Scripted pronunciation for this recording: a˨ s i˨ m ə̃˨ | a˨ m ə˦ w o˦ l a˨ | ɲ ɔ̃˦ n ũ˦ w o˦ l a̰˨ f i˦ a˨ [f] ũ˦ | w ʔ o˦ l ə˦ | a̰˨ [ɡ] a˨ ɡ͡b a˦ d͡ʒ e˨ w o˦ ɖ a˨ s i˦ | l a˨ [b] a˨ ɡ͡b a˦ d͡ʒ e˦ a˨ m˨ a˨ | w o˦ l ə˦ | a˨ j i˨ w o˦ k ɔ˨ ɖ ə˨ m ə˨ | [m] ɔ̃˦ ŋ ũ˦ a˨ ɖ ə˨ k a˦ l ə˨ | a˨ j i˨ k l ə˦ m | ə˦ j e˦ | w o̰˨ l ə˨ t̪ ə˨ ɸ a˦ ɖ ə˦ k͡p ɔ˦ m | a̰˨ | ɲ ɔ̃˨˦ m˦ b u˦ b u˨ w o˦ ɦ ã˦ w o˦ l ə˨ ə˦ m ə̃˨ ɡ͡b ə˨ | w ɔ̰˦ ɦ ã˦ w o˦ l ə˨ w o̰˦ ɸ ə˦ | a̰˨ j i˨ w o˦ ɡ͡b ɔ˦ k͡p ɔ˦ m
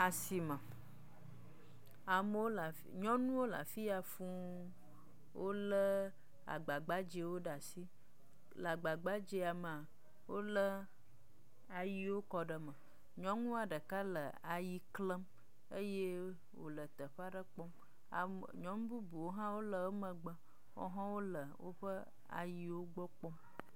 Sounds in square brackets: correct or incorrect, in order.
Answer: correct, incorrect: ɡ͡b, incorrect: ɡ͡b, incorrect: ɲ

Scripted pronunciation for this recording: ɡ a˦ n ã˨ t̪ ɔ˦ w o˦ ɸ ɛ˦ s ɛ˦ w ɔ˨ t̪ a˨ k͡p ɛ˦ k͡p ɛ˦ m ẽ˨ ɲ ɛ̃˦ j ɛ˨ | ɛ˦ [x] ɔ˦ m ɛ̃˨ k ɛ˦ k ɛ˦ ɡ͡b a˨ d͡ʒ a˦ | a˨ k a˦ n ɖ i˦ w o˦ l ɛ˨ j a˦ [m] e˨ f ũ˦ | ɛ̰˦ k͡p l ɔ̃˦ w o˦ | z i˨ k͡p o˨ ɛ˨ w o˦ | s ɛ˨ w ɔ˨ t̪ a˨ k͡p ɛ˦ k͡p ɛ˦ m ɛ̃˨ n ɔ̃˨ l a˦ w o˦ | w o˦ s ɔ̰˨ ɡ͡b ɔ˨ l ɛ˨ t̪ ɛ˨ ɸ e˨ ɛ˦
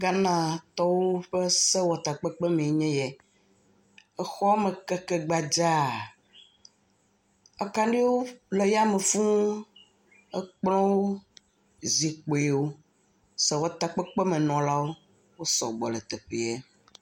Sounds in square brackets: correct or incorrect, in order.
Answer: correct, correct

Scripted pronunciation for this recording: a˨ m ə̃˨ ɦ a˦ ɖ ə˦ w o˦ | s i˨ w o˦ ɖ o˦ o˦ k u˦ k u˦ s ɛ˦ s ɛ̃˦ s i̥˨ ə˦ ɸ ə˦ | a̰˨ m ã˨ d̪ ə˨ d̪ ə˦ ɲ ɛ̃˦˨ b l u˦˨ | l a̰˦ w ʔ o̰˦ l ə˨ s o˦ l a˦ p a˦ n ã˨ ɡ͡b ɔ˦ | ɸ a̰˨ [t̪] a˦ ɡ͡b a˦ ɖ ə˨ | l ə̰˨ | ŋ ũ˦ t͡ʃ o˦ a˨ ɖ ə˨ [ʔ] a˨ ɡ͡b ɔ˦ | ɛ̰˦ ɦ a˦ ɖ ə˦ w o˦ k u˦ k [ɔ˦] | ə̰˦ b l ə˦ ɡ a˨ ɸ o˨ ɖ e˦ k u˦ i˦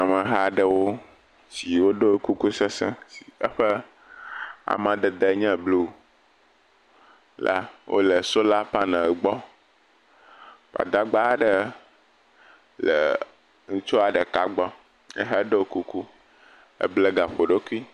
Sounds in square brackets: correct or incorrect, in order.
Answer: incorrect: d̪, incorrect: k, incorrect: u˦

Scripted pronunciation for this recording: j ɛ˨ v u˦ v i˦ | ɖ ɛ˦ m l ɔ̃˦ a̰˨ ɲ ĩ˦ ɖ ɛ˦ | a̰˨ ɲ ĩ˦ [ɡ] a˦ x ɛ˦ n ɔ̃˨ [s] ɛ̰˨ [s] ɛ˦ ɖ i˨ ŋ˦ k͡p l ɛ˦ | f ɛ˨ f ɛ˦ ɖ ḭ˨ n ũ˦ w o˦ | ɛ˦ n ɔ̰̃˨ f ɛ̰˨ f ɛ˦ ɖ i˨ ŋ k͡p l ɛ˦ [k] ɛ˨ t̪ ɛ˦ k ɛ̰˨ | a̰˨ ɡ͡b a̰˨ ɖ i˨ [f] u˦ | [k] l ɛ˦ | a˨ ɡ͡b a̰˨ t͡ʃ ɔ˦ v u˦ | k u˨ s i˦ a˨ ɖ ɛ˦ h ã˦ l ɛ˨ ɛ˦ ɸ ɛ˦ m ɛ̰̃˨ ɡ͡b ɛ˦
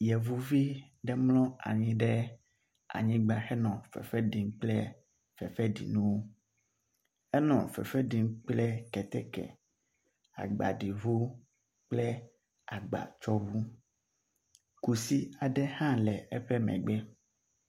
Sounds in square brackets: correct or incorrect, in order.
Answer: incorrect: ɡ͡b, incorrect: f, incorrect: f, correct, incorrect: v, incorrect: k͡p

